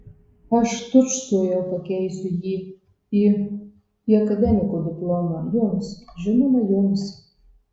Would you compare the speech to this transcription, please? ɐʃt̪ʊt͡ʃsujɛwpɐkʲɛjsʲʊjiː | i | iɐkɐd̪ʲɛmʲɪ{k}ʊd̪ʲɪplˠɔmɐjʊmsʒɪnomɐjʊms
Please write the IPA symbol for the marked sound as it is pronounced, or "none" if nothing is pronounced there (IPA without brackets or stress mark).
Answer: k